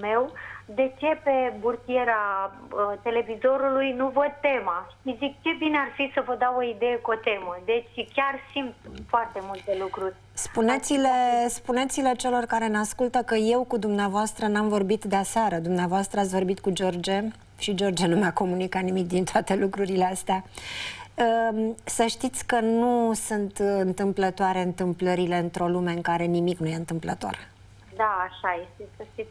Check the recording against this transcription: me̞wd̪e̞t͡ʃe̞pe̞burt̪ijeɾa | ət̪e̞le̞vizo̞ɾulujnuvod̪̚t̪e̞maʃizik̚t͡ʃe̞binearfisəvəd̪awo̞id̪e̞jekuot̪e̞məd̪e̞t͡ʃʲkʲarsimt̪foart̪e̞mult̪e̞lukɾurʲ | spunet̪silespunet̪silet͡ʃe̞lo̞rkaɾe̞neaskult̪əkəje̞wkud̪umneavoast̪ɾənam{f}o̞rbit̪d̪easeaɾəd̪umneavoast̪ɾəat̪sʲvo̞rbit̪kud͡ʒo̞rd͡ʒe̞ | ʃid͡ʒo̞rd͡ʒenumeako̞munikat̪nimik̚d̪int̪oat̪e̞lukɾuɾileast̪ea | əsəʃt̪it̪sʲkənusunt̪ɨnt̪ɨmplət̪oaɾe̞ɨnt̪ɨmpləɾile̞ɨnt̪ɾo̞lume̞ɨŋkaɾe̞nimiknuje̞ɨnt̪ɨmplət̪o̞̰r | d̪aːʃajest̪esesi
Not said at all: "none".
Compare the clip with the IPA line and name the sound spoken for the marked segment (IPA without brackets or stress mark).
v